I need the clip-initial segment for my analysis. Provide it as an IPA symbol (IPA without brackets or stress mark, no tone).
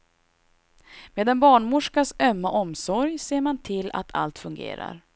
m